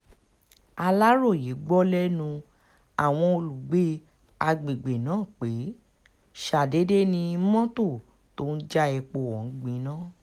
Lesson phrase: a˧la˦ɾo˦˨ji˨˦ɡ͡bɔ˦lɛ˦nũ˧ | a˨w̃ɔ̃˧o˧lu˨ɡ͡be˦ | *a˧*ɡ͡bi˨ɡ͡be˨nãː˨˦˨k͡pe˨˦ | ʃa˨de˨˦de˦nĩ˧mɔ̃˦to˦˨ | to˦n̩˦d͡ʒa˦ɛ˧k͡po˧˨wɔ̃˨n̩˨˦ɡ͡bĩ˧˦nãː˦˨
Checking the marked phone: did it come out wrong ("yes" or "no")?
no